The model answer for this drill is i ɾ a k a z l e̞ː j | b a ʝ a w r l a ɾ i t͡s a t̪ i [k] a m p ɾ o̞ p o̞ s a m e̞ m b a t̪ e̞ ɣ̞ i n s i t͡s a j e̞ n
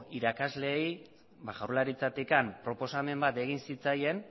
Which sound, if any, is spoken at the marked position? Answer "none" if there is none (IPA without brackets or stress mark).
k